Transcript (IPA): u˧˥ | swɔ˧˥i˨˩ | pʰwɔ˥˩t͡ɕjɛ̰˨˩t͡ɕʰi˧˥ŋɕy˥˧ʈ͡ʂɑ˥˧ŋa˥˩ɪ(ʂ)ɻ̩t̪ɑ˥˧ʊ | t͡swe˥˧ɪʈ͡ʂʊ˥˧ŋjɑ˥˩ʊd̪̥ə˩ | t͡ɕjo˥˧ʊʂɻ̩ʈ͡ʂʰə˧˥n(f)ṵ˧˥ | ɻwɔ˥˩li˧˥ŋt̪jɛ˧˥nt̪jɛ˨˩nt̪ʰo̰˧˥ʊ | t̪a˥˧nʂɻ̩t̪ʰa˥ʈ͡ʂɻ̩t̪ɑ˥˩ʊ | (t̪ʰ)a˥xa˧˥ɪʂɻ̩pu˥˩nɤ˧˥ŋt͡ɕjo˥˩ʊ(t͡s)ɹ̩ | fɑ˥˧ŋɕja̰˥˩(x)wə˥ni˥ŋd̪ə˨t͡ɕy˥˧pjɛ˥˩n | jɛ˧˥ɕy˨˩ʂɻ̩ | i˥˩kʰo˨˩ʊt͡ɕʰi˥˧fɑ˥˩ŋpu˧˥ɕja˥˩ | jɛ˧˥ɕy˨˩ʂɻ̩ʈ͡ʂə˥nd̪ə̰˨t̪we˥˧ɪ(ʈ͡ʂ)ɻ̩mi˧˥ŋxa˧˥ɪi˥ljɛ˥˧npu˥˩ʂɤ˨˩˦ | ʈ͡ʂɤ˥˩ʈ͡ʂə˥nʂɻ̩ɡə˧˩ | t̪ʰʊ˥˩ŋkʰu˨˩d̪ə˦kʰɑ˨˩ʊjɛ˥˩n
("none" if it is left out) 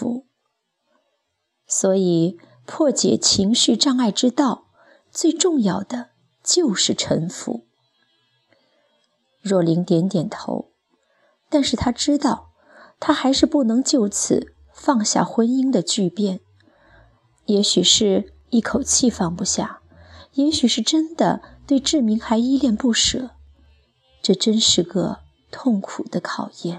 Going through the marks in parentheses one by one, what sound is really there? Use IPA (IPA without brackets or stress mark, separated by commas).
ʈ͡ʂ, f, t̪ʰ, t͡sʰ, x, ʈ͡ʂ